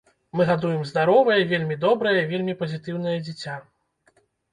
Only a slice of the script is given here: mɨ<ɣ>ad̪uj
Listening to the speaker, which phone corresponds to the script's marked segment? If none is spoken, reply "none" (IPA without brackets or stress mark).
ɣ